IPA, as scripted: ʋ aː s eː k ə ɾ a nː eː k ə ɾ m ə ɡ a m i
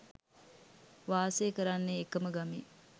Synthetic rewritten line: ʋ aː s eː k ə ɾ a nː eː k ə m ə ɡ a m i

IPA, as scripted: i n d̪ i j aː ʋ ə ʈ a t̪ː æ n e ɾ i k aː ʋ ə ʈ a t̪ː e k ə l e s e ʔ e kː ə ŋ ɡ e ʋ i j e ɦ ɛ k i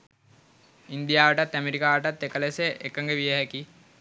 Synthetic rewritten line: i n d̪ i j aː ʋ ə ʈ a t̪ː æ m e ɾ i k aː ʋ ə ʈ a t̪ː e k ə l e s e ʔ e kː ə ŋ ɡ e ʋ i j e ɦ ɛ k i

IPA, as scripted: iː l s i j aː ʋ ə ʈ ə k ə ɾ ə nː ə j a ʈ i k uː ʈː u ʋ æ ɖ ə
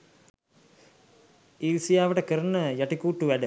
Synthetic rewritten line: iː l s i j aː ʋ ə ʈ ə k ə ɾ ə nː ə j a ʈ i k uː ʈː u ʋ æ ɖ ə

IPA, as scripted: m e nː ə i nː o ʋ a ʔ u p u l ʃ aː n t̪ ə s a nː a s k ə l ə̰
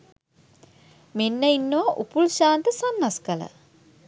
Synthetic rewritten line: m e nː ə i nː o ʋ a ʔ u p u l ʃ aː n t̪ ə s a nː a s k ə l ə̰

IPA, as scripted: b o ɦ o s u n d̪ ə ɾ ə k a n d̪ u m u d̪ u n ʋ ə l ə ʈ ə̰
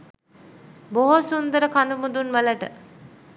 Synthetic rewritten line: b o ɦ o s u n d̪ ə ɾ ə k a n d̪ u m u d̪ u n ʋ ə l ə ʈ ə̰

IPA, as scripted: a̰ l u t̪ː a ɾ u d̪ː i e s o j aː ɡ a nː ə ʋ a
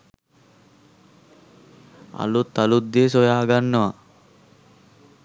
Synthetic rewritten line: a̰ l u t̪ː a l u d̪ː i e s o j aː ɡ a nː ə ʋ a

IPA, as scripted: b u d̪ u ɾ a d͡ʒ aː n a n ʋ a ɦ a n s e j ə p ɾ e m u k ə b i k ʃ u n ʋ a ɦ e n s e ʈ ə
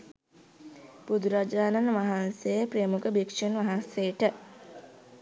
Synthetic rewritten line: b u d̪ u ɾ a d͡ʒ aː n a n ʋ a ɦ a n s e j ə p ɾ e m u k ə b i k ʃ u n ʋ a ɦ a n s e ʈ ə

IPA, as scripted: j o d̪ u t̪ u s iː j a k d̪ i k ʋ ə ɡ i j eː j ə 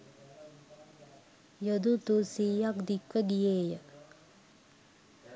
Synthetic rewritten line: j o d̪ u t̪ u s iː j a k d̪ i k ʋ ə ɡ i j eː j ə

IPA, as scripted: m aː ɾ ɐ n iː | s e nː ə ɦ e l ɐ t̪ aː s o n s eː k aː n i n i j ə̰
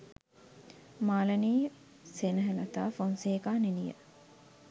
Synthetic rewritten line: m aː l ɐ n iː | s e n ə ɦ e l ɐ t̪ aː f o n s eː k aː n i n i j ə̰

